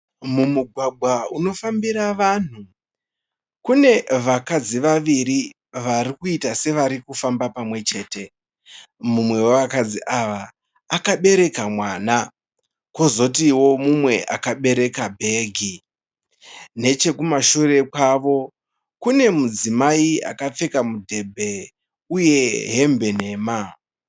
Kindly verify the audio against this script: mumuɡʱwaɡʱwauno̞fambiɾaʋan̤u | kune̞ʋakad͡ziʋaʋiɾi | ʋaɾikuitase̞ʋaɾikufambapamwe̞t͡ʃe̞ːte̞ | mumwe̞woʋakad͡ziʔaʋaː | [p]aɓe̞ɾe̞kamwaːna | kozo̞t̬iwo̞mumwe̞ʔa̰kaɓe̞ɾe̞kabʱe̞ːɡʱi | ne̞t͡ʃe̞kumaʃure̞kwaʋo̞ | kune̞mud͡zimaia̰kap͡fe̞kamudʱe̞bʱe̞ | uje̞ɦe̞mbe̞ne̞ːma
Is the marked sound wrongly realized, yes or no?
yes